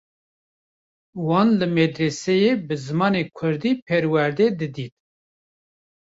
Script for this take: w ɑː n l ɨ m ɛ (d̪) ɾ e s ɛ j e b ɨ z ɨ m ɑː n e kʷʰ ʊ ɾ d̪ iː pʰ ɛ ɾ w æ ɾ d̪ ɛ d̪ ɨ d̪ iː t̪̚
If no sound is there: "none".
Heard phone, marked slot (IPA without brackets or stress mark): d̪